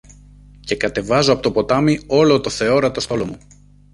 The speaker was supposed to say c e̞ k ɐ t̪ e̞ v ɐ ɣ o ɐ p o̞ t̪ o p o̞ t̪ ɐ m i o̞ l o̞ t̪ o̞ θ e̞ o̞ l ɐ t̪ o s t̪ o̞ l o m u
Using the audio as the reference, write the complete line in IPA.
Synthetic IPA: c e̞ k ɐ t̪ e̞ v ɐ z o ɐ p o̞ t̪ o p o̞ t̪ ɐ m i o̞ l o̞ t̪ o̞ θ e̞ o̞ ɾ ɐ t̪ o s t̪ o̞ l o m u